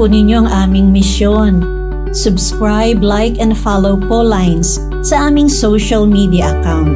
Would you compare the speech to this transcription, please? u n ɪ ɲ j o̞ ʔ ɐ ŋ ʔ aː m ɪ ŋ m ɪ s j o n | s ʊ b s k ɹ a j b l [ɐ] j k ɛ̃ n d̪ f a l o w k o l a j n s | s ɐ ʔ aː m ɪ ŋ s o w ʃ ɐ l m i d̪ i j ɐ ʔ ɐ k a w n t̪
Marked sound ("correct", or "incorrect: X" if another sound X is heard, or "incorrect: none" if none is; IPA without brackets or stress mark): incorrect: a